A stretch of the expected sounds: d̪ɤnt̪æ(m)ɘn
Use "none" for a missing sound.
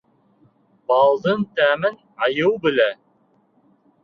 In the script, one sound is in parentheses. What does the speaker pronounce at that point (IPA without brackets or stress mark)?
m